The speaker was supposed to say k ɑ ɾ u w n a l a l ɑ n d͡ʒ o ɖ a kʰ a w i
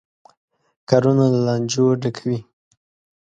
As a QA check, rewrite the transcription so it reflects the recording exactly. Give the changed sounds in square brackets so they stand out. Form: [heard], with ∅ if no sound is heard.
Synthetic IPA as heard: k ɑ ɾ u [∅] n a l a l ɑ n d͡ʒ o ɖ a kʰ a w i

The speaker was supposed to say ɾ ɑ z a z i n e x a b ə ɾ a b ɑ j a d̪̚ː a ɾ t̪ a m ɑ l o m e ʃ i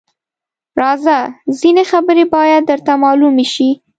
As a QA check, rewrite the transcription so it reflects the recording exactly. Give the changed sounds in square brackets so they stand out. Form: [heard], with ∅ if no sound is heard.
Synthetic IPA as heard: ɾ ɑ z a z i n e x a b ə ɾ [e] b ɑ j a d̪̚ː [ə] ɾ t̪ a m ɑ l [u] m e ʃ i

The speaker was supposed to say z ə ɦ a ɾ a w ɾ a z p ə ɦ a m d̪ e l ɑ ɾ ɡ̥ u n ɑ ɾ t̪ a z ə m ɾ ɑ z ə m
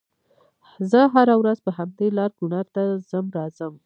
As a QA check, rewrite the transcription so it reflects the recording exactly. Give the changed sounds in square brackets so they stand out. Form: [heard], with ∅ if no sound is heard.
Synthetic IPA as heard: z ə ɦ a ɾ a w ɾ a z p ə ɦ a m d̪ e l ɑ ɾ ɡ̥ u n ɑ ɾ t̪ a z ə m ɾ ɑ z ə m

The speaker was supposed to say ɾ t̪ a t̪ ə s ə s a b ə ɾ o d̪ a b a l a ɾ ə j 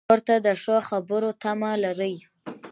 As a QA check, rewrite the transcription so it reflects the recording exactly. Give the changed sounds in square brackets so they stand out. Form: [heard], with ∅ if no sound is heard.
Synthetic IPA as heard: ɾ t̪ a [d̪] ə [ʂ] ə [x] a b ə ɾ o [t̪] a [m] a l a ɾ ə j

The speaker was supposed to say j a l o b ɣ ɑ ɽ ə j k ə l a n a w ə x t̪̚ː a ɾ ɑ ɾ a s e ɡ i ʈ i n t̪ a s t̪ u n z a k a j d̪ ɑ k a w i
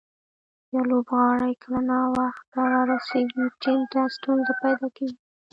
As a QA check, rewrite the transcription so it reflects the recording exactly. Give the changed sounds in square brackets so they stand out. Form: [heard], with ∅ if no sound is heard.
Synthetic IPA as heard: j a l o b ɣ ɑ ɽ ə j k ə l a n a w [a] x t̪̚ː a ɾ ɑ ɾ a s e ɡ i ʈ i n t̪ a s t̪ u n z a [p] a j d̪ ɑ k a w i

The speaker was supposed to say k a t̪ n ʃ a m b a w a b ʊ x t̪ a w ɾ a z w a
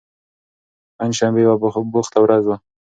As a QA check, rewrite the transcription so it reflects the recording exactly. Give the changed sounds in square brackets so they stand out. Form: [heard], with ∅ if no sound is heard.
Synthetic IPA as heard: [p] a [∅] n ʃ a m b [e] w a b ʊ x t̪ a w ɾ a z w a

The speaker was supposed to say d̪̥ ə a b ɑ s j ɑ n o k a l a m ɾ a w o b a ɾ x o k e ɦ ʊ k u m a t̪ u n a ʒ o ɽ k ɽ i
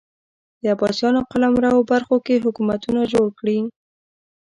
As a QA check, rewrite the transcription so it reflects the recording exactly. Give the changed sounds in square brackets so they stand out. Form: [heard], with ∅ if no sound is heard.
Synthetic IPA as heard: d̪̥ ə a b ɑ s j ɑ n o [q] a l a m ɾ a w o b a ɾ x o k e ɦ ʊ k u m a t̪ u n a ʒ o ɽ k ɽ i

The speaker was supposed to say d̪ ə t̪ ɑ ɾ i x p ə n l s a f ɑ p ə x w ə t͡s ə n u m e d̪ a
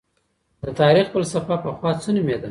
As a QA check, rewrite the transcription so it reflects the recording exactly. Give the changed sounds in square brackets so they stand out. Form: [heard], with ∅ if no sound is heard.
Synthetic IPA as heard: d̪ ə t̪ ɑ ɾ i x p ə [∅] l s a f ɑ p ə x w [ɑ] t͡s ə n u m e d̪ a

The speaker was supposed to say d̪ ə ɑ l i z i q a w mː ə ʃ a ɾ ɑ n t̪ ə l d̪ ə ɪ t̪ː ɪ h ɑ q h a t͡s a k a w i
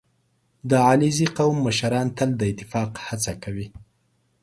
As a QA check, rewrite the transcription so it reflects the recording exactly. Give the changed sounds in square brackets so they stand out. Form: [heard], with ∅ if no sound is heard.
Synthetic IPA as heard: d̪ ə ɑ l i z i q a w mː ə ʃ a ɾ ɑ n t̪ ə l d̪ ə ɪ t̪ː ɪ [f] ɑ q h a t͡s a k a w i

